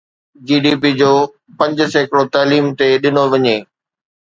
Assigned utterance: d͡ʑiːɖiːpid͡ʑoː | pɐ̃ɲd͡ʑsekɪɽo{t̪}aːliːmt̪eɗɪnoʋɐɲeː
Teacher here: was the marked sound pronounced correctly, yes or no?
yes